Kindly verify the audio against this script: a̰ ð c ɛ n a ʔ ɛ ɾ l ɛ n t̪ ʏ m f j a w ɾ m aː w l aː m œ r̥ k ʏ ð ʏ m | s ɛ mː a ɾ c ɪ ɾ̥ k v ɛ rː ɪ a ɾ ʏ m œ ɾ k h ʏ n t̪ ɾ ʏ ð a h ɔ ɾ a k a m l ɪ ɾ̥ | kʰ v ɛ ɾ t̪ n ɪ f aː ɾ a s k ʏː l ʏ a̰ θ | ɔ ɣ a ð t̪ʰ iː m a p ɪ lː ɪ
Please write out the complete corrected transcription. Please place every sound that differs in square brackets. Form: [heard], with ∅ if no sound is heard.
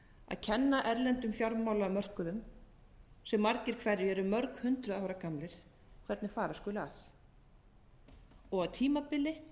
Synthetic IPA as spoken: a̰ ð [cʰ] ɛ [nː] a ʔ ɛ ɾ l ɛ n t̪ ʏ m f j a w ɾ m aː w l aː m œ r̥ k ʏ ð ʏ m | s ɛ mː a ɾ c ɪ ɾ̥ [kʰ] v ɛ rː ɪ [ɛ] ɾ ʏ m œ ɾ k h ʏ n t̪ ɾ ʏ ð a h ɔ ɾ a k a m l ɪ ɾ̥ | kʰ v ɛ ɾ t̪ n ɪ f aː ɾ a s k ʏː l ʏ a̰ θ | ɔ ɣ a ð t̪ʰ iː m a p ɪ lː ɪ

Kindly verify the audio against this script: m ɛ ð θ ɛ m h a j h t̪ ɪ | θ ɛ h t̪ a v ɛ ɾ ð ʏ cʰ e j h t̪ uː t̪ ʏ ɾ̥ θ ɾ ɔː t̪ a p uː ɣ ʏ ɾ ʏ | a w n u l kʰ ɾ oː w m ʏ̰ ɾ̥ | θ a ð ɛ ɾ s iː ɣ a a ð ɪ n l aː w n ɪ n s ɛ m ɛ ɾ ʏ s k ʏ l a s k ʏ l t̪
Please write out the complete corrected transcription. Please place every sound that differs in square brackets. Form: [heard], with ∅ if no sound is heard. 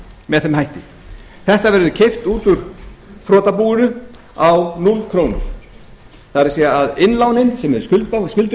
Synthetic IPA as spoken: m ɛ ð θ ɛ m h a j h t̪ ɪ | θ ɛ h t̪ a v ɛ ɾ ð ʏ cʰ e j [f] t̪ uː t̪ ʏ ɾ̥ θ ɾ ɔː t̪ a p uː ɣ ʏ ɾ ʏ | a w n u l kʰ ɾ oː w [n] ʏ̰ ɾ̥ | θ a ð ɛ ɾ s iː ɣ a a ð ɪ n l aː w n ɪ n s ɛ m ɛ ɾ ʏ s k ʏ l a s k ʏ l t̪

